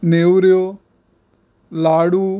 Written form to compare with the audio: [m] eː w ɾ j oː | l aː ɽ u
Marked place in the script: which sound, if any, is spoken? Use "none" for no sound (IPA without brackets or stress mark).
n